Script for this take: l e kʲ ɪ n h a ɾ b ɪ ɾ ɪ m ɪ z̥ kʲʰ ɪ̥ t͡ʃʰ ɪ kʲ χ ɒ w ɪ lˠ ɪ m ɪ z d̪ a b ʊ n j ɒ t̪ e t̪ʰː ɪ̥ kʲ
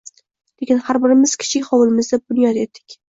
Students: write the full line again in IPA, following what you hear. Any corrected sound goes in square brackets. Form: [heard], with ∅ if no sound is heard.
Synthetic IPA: l e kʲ ɪ n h a ɾ b ɪ ɾ ɪ m ɪ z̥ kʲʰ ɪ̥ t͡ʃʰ ɪ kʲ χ ɒ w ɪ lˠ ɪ m ɪ z d̪ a b ʊ n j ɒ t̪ e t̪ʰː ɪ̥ kʲ